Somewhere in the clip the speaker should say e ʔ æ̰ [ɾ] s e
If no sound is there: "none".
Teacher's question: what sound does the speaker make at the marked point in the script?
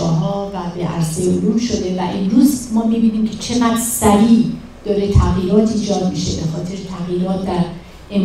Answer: ɾ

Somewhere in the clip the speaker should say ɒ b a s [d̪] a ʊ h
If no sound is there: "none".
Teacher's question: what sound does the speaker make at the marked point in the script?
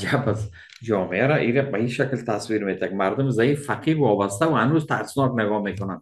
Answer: t̪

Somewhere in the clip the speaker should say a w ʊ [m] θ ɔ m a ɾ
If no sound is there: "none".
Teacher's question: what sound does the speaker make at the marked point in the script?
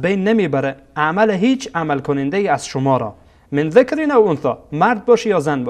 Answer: n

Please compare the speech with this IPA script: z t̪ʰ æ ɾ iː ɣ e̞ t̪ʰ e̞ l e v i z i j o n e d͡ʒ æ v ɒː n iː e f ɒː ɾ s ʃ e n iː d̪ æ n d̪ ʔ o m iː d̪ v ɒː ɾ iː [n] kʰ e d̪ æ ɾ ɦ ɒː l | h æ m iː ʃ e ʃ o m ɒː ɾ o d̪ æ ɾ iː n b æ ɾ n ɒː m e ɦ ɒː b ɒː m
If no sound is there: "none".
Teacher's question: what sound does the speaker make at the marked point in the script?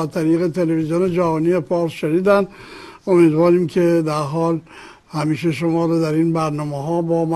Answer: m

